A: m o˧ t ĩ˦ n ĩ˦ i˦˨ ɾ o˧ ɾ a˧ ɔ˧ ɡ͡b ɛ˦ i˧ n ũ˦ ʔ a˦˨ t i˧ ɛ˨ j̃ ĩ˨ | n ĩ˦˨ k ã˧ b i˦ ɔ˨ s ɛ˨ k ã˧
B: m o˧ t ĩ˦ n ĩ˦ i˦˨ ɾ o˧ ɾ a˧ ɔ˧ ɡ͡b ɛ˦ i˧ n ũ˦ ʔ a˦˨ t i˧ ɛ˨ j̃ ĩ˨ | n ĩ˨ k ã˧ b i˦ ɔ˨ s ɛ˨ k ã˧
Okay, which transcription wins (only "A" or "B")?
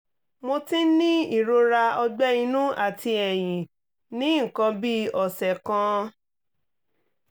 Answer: A